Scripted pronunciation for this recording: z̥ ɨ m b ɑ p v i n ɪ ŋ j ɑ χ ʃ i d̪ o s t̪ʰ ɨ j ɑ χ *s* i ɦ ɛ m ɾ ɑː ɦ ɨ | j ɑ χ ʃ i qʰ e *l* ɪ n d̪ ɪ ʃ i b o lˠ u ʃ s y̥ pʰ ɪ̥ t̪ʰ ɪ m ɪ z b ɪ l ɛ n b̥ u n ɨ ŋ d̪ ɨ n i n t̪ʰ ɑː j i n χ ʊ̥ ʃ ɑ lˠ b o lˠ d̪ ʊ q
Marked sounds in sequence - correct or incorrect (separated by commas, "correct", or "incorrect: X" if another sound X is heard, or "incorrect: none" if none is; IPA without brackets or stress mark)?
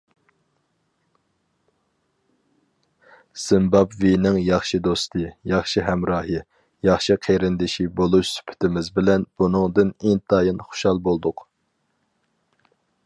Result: incorrect: ʃ, incorrect: ɾ